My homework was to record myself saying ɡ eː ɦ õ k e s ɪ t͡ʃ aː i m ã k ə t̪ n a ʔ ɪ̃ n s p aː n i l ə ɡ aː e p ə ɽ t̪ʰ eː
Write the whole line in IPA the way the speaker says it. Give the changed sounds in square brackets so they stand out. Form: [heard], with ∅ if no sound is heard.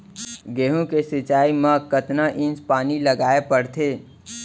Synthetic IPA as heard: ɡ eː ɦ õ k e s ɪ t͡ʃ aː i m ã k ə t̪ n a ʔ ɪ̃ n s p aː n i l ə ɡ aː e p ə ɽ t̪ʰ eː